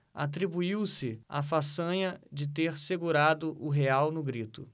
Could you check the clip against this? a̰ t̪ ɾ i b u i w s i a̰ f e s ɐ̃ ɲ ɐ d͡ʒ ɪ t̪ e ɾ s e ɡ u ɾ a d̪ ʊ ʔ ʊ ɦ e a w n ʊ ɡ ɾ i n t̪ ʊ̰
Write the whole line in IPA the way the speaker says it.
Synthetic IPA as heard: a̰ t̪ ɾ i b u i w s ɪ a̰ f a s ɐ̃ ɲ ɐ d͡ʒ ɪ t̪ e ɾ s e ɡ u ɾ a d̪ ʊ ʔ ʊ ɦ e a w n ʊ ɡ ɾ i t̪ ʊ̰